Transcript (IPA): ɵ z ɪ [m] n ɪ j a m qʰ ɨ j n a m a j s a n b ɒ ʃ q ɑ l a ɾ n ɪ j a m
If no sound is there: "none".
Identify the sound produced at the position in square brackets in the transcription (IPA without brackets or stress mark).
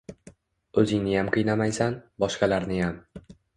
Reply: ŋ